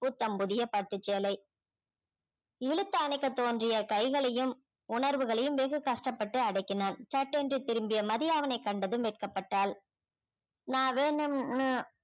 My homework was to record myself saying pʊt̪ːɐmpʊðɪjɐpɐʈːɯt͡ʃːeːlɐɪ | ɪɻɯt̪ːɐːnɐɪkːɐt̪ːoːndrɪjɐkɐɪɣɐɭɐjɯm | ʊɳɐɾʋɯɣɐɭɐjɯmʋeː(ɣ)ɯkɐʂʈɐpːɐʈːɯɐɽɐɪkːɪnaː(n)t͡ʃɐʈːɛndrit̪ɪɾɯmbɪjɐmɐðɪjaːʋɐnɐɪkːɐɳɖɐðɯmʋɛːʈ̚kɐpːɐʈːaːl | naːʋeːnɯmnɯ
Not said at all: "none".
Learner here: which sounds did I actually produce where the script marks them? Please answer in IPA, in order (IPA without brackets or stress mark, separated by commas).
ɣ, n